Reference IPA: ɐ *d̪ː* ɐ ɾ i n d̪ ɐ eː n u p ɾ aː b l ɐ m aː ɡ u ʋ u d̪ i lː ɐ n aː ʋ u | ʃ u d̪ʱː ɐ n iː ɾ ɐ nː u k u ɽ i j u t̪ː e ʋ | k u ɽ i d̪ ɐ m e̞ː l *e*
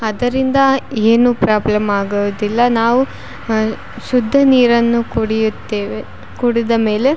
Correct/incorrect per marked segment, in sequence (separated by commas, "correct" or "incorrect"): incorrect, correct